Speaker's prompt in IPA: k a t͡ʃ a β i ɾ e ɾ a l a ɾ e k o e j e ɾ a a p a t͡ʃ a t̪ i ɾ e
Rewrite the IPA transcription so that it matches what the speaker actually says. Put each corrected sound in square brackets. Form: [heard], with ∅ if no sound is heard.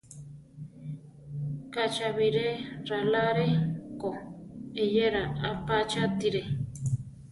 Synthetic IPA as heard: k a t͡ʃ a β i ɾ e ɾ a l a ɾ e k o e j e ɾ a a p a t͡ʃ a t̪ i ɾ e